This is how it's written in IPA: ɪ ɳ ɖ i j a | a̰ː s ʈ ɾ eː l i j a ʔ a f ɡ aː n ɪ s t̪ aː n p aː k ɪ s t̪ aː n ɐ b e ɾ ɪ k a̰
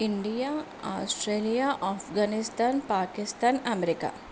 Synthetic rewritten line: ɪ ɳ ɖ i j a | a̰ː s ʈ ɾ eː l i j a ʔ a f ɡ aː n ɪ s t̪ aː n p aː k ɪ s t̪ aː n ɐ m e ɾ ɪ k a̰